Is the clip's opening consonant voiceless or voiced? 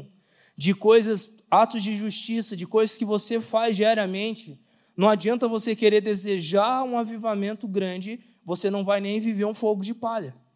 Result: voiced